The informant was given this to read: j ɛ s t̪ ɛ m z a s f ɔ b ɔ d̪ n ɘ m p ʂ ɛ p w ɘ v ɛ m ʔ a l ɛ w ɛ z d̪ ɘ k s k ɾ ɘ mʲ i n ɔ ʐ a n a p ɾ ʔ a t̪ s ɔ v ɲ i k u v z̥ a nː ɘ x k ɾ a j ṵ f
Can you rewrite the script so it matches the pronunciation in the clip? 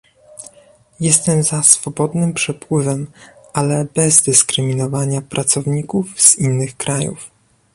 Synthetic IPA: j ɛ s t̪ ɛ m z a s f ɔ b ɔ d̪ n ɘ m p ʂ ɛ p w ɘ v ɛ m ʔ a l ɛ b ɛ z d̪ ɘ s k ɾ ɘ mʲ i n ɔ v a ɲ a p ɾ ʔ a t̪ s ɔ v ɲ i k u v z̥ i nː ɘ x k ɾ a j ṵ f